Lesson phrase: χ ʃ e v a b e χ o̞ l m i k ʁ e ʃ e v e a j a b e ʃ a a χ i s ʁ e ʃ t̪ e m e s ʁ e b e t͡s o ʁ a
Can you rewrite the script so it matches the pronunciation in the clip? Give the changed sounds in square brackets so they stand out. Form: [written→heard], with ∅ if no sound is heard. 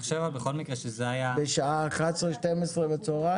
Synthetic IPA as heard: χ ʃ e v a b e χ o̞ l m i k ʁ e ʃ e [v→z] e a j a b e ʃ a a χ [i→a] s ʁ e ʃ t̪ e m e s ʁ e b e t͡s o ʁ a